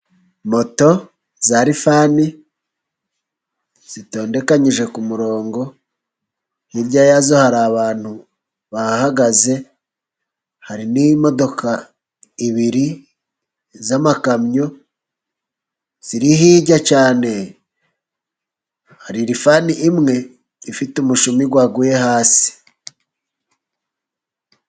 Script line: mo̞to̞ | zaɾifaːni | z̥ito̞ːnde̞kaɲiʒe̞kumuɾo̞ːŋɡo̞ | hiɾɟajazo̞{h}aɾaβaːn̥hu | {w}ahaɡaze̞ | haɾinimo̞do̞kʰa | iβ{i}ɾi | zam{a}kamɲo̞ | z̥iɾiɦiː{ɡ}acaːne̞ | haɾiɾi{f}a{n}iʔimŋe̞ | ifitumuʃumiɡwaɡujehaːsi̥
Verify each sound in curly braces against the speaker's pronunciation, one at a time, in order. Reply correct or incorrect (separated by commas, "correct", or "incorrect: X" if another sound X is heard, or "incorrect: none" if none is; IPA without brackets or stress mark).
correct, incorrect: β, correct, correct, incorrect: ɟ, correct, correct